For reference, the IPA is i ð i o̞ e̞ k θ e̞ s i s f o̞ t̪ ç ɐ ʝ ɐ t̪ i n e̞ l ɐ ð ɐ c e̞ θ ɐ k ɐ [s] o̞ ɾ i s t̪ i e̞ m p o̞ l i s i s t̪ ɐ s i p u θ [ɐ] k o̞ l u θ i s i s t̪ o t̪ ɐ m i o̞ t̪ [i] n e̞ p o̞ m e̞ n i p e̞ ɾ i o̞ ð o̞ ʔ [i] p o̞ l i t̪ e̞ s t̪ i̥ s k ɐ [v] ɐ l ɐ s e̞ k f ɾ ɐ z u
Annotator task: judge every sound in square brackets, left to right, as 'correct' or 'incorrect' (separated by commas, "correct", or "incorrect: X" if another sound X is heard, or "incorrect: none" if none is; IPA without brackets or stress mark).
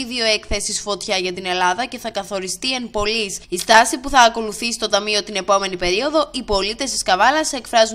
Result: incorrect: θ, incorrect: ɐː, correct, correct, correct